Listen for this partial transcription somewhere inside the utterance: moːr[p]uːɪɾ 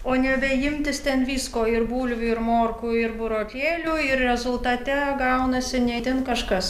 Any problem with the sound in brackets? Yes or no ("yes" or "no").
yes